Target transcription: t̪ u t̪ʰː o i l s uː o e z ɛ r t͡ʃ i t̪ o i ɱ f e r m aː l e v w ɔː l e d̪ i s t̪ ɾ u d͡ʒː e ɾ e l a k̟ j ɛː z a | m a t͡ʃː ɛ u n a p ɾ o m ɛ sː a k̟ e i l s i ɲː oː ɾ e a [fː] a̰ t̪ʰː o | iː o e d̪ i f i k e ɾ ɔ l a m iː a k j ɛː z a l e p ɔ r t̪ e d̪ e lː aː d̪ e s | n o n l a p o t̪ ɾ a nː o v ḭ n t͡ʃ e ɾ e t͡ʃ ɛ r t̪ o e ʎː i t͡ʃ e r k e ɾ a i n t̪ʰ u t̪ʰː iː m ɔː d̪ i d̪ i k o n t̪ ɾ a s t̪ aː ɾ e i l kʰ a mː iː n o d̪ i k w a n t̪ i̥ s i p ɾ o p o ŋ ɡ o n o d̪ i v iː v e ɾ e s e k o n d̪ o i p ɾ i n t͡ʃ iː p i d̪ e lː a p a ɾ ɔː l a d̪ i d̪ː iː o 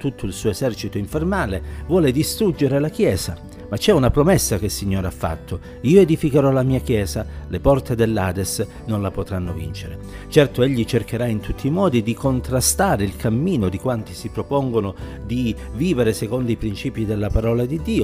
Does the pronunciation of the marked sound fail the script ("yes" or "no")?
no